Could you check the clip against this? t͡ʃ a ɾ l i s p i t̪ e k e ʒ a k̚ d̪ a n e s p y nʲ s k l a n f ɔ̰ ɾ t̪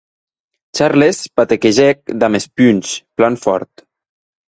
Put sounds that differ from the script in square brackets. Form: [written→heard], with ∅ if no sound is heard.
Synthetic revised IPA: t͡ʃ a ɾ l [i→e] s p [i→a] t̪ e k e ʒ [a→ɛ] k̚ d̪ a [n→m] e s p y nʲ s [k→p] l a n f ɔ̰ ɾ t̪